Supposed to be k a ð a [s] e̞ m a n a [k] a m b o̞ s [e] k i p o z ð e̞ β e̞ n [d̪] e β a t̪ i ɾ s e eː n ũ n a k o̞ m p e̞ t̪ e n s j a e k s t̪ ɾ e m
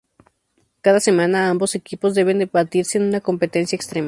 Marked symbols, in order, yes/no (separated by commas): yes, no, yes, yes